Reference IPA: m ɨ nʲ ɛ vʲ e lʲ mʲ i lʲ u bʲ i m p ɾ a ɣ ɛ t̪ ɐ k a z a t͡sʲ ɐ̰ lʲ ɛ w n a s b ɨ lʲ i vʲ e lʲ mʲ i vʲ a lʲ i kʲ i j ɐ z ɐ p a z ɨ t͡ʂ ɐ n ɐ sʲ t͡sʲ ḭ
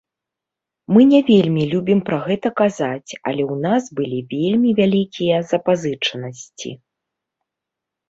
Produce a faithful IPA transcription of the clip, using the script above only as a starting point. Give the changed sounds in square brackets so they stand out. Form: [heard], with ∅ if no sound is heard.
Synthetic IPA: m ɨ nʲ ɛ vʲ e lʲ mʲ i lʲ u bʲ i m p ɾ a ɣ ɛ t̪ ɐ k a z a t͡sʲ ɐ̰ lʲ ɛ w n a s b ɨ lʲ i vʲ e lʲ mʲ i vʲ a lʲ i kʲ i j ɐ z ɐ p a z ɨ t͡ʂ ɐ n ɐ sʲ t͡sʲ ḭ